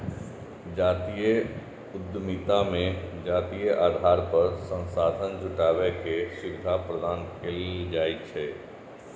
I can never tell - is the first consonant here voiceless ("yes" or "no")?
no